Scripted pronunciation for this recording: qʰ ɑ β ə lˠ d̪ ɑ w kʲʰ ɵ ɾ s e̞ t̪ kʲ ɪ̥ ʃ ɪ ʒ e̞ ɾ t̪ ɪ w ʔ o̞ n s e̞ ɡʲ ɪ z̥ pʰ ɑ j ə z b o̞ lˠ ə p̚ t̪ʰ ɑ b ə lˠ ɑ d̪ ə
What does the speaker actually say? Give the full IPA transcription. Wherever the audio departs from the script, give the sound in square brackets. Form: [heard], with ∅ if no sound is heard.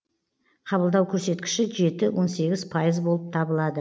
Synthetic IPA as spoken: qʰ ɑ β ə lˠ d̪ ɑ w kʲʰ ɵ ɾ s e̞ t̪ kʲ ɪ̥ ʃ ɪ ʒ e̞ [∅] t̪ ɪ w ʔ o̞ n s e̞ ɡʲ ɪ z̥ pʰ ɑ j ə z b o̞ lˠ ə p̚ t̪ʰ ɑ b ə lˠ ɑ d̪ ə

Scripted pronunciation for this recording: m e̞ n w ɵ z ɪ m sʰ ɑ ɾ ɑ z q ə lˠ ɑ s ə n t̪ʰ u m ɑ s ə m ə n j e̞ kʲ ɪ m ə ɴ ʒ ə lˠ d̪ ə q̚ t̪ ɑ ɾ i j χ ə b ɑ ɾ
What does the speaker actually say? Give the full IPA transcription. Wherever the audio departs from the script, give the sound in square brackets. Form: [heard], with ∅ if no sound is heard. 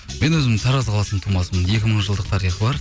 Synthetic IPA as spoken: m e̞ n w ɵ z ɪ m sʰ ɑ ɾ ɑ z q [ɑ] lˠ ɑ s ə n t̪ʰ u m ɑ s ə m ə n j e̞ kʲ ɪ m ə ɴ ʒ ə lˠ d̪ ə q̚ [t̪ʰ] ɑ ɾ i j χ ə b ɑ ɾ

